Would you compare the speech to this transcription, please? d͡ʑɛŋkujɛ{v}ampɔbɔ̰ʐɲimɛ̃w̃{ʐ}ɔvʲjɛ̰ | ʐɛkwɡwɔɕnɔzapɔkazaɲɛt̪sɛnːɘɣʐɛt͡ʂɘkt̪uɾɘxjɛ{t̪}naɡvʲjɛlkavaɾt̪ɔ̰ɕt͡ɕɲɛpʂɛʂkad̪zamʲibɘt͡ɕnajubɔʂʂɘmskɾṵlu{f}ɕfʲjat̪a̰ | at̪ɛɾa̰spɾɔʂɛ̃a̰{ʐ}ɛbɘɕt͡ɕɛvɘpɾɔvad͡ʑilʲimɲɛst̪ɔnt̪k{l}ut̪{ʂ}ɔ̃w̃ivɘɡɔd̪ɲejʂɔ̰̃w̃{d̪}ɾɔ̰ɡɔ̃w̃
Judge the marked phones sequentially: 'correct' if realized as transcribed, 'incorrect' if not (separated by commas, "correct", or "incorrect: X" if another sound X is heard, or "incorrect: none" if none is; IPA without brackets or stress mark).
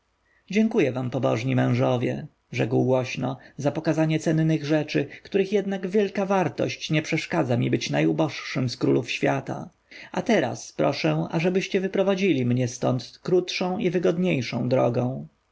correct, correct, incorrect: d̪, correct, correct, incorrect: ɾ, correct, correct